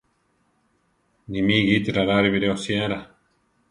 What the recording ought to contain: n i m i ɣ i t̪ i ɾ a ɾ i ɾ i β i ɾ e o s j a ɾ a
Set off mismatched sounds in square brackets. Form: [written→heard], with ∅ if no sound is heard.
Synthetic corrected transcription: n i m i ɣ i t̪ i ɾ a ɾ [i→a] ɾ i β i ɾ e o s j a ɾ a